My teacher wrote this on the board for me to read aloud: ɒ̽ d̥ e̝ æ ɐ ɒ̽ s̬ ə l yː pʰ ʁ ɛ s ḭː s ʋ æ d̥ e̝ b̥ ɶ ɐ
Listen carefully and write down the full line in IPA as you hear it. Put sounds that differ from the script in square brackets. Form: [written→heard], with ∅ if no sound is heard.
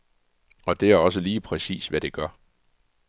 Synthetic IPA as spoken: ɒ̽ d̥ e̝ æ ɐ ɒ̽ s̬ ə l [yː→iː] pʰ ʁ ɛ s ḭː s ʋ æ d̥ e̝ [b̥→ɡ̥] ɶ ɐ